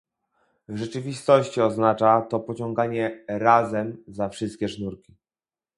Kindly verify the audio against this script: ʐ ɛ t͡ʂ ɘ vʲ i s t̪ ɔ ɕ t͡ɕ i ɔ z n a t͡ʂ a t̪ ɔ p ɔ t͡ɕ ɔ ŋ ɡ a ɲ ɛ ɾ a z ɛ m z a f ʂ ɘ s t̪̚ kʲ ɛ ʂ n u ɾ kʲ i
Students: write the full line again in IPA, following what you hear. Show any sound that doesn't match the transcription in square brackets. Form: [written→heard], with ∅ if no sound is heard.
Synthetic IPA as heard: ʐ ɛ t͡ʂ ɘ vʲ i s t̪ ɔ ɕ t͡ɕ i ɔ z n a t͡ʂ a t̪ ɔ p ɔ t͡ɕ ɔ ŋ ɡ a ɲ ɛ ɾ a z ɛ m z a f ʂ ɘ s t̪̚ kʲ ɛ ʂ n u ɾ kʲ i